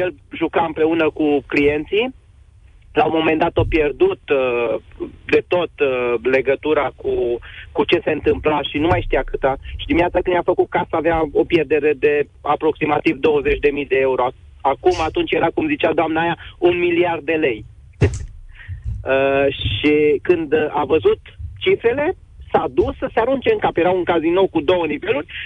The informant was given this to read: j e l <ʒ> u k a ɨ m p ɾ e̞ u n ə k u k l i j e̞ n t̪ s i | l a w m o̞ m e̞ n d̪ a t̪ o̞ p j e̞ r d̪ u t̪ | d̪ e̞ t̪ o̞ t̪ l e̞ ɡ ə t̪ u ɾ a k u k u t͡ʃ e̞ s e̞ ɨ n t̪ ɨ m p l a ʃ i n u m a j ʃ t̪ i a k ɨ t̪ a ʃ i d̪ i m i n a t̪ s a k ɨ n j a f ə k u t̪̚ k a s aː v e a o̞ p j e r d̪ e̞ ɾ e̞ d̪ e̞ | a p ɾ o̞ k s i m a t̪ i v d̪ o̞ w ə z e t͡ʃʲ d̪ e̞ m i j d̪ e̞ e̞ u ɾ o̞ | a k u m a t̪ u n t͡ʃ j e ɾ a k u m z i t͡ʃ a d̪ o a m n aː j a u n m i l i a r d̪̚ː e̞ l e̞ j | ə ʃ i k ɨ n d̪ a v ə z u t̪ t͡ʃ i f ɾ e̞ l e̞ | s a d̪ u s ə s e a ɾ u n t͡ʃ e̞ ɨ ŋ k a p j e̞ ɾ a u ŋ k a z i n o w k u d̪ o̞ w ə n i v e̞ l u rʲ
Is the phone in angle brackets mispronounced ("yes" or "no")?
no